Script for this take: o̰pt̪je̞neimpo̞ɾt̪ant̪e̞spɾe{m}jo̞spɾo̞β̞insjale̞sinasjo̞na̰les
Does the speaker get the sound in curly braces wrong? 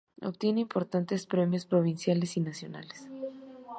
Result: no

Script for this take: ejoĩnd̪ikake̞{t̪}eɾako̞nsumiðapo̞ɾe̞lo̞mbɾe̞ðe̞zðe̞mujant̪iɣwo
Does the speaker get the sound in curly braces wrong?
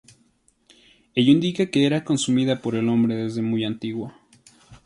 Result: yes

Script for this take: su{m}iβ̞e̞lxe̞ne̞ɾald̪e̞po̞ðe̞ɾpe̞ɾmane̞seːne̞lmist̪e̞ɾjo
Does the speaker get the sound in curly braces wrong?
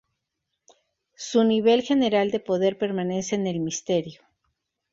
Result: yes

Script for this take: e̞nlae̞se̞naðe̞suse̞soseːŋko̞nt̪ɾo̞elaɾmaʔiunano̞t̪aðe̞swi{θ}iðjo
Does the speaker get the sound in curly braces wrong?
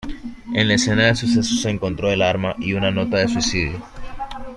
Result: yes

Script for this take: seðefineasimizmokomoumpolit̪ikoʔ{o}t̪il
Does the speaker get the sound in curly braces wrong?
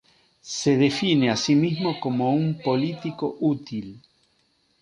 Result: yes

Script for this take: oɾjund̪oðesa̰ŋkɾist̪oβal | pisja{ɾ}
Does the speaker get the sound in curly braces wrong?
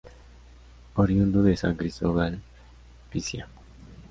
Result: yes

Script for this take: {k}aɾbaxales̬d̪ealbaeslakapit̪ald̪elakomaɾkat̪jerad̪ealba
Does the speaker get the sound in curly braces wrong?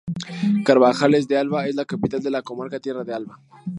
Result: no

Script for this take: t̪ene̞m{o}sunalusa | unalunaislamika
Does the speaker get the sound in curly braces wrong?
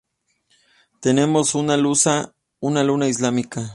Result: no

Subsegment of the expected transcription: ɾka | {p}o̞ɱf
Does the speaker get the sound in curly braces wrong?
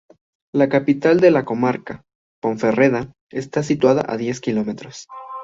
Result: no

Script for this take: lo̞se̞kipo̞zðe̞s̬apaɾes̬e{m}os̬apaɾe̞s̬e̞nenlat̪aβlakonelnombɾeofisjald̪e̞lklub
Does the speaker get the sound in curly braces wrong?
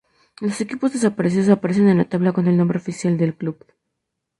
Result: yes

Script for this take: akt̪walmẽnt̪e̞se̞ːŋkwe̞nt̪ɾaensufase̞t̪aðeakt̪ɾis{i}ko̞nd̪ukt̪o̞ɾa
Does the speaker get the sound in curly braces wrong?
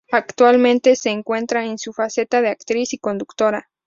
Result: no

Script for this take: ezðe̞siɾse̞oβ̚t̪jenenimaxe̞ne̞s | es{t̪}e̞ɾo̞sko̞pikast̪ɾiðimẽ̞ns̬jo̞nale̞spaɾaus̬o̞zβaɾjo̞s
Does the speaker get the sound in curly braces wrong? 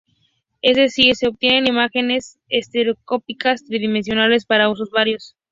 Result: no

